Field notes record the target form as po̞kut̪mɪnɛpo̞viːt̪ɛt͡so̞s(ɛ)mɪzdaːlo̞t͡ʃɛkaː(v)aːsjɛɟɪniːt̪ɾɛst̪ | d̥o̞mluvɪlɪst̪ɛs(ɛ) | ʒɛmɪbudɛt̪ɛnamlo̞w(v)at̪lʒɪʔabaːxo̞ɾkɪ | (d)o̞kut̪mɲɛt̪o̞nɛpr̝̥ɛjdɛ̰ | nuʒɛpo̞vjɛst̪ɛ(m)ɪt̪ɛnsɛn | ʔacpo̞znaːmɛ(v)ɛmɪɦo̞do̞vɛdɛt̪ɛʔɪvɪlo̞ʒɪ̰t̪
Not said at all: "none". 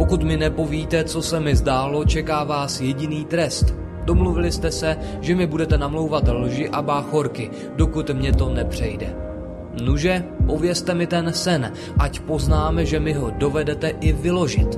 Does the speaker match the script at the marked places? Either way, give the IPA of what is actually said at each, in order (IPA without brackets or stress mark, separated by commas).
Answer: ɛ, v, ɛ, v, d, m, ʒ